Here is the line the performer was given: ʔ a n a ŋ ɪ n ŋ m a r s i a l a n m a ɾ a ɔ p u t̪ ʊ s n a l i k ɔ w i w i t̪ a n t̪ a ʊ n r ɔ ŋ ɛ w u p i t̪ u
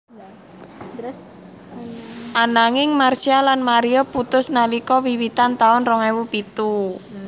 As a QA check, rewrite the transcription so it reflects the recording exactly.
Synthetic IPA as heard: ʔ a n a ŋ ɪ ŋ m a r s i a l a n m a ɾ i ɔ p u t̪ ʊ s n a l i k ɔ w i w i t̪ a n t̪ a ʊ n r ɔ ŋ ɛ w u p i t̪ u